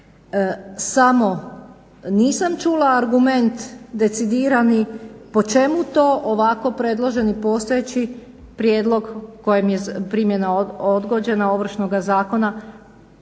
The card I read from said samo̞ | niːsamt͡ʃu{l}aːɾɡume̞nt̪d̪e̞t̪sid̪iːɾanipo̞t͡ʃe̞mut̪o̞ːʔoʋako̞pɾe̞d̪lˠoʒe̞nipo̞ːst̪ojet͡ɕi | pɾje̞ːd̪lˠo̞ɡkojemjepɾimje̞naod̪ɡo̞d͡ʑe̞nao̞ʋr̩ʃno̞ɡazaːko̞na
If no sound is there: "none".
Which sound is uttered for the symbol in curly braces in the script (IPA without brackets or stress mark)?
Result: l